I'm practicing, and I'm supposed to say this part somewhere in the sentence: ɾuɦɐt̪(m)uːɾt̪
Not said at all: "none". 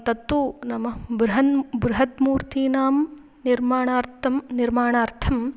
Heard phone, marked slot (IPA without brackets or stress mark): m